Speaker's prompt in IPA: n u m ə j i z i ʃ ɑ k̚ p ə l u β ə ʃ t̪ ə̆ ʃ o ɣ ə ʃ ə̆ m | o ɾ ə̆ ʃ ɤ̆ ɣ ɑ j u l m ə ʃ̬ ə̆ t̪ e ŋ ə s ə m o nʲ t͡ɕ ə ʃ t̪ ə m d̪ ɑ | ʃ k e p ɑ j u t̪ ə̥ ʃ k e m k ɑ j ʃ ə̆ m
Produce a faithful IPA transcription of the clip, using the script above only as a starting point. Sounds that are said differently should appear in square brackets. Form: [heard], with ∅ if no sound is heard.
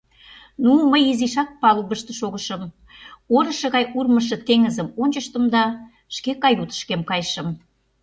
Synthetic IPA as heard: n u m ə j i z i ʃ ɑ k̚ p [ɑ] l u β ə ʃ t̪ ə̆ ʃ o ɣ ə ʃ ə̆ m | o ɾ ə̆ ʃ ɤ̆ ɣ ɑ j u [r] m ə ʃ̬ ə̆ t̪ e ŋ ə [z] ə m o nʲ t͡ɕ ə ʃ t̪ ə m d̪ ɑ | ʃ k e [k] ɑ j u t̪ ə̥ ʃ k e m k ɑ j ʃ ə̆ m